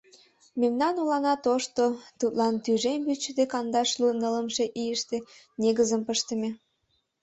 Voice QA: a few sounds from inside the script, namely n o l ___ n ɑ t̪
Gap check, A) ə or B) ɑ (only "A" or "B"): B